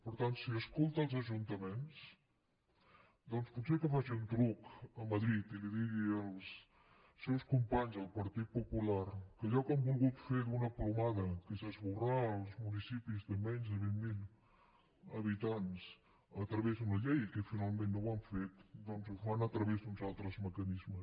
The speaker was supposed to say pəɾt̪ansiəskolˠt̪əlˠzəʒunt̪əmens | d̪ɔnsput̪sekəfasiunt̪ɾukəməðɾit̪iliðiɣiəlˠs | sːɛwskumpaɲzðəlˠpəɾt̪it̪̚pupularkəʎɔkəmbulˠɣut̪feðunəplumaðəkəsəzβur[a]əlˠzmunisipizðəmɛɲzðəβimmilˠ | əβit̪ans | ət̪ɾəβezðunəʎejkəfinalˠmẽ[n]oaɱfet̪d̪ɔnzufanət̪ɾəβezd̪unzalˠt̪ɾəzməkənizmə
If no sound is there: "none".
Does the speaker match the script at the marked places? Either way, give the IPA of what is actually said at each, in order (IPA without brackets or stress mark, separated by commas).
a, nː